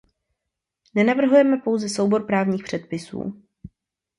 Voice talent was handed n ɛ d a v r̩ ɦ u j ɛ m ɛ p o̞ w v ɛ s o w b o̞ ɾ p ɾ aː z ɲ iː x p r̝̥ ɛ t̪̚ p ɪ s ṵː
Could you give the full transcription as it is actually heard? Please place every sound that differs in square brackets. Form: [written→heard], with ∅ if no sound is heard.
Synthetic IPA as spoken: n ɛ [d→n] a v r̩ ɦ u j ɛ m ɛ p o̞ w [v→z] ɛ s o w b o̞ ɾ p ɾ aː [z→v] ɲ iː x p r̝̥ ɛ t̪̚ p ɪ s ṵː